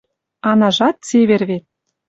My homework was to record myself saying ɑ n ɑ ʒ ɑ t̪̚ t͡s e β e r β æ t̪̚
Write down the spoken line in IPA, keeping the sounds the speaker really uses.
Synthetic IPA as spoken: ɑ n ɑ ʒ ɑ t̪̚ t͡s e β e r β e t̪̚

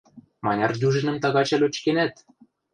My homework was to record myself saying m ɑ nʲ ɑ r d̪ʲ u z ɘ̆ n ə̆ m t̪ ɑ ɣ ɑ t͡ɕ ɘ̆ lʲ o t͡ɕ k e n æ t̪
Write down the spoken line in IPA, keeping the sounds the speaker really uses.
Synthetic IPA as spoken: m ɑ nʲ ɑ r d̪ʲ u ʒ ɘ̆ n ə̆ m t̪ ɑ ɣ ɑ t͡ɕ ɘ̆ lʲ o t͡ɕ k e n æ t̪

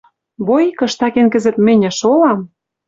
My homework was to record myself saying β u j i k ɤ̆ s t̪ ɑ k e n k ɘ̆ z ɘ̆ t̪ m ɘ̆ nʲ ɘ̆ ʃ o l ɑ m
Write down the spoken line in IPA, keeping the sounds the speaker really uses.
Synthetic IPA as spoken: β o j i k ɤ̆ ʃ t̪ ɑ k e n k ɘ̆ z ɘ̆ t̪ m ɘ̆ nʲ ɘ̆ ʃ o l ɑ m

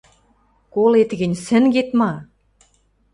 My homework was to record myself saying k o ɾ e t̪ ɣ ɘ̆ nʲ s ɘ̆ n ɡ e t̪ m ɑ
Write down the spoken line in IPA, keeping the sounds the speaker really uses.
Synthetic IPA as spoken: k o l e t̪ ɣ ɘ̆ nʲ s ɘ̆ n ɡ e t̪ m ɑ

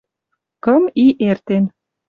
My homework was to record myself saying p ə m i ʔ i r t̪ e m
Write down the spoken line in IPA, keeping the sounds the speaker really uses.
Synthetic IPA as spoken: k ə m i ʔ e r t̪ e n

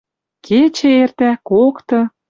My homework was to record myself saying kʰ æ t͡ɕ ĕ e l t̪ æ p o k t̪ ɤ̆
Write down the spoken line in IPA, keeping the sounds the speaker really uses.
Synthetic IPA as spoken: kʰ e t͡ɕ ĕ e r t̪ æ k o k t̪ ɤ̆

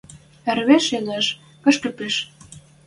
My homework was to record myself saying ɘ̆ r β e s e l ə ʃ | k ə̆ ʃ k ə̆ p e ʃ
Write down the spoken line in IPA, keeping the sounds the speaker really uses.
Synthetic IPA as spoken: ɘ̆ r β e ʃ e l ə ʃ | k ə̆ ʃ k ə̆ p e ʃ

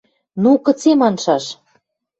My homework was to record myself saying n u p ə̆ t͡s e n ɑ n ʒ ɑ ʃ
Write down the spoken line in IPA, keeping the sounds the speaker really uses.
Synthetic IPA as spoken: n u k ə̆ t͡s e m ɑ n ʃ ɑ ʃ

